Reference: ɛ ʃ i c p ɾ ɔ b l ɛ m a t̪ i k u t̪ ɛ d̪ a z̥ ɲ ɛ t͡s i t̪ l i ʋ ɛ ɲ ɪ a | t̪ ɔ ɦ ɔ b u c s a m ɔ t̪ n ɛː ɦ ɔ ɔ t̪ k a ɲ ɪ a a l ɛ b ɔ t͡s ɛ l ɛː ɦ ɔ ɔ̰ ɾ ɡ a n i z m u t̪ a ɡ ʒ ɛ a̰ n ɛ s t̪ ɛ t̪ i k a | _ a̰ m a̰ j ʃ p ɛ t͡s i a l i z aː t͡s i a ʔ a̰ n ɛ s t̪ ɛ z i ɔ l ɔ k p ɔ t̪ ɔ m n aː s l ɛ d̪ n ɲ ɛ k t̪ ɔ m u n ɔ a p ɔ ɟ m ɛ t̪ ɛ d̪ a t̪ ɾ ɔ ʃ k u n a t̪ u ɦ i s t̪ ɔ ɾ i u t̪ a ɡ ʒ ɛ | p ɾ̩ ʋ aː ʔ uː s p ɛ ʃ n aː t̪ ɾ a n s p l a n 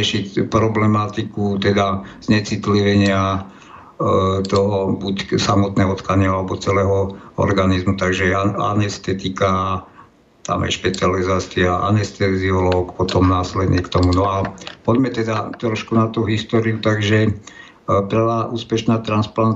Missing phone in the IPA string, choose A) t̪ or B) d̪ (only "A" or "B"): A